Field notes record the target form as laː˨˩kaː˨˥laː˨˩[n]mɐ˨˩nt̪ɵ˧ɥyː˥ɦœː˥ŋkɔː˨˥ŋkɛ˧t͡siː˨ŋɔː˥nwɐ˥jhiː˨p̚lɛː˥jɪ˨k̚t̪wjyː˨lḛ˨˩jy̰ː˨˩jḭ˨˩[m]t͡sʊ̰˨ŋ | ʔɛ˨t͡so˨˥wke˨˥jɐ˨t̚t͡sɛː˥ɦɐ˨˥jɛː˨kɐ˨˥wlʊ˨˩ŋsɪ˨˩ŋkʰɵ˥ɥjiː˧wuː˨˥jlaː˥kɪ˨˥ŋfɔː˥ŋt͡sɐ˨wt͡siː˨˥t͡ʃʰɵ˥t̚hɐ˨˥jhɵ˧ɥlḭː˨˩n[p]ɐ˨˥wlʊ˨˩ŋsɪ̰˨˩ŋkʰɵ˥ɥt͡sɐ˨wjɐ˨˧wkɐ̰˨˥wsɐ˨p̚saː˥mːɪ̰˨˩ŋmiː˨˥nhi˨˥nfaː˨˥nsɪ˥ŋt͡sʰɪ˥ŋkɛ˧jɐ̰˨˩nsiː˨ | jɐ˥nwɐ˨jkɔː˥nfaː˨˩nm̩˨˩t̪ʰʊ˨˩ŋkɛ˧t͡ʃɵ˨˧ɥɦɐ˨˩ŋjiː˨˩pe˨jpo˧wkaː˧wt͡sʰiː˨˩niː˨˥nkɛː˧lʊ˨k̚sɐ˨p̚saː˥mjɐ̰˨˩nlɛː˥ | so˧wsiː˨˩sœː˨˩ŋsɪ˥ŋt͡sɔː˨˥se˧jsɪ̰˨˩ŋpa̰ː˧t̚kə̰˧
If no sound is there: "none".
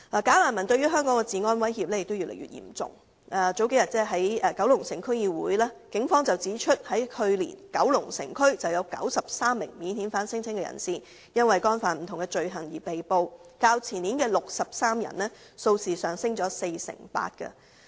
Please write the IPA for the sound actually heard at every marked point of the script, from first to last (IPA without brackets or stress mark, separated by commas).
n, m, k